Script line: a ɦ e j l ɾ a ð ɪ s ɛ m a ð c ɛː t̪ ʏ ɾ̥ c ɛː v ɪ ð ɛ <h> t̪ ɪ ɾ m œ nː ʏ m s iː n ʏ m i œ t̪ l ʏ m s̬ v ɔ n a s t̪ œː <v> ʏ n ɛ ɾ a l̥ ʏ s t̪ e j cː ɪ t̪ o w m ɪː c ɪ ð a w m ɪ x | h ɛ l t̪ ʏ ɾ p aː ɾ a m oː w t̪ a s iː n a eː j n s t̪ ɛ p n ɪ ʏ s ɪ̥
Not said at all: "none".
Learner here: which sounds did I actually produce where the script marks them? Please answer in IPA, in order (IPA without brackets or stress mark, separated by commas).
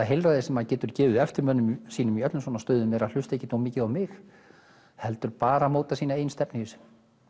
f, ð